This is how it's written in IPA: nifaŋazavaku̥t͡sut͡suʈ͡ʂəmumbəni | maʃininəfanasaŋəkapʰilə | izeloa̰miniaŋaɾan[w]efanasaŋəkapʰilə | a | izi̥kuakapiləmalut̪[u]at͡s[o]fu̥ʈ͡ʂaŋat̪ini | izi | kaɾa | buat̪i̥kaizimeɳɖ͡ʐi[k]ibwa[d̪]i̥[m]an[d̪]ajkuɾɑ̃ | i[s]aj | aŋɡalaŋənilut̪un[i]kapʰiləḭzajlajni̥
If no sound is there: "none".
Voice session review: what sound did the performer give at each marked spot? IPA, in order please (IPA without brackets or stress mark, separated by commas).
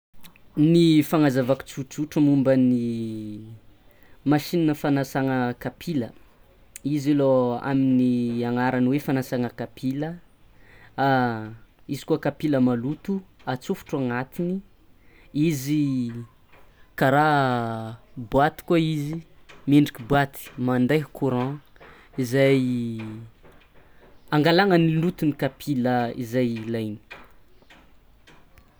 w, u, u, k, t̪, m, d̪, z, i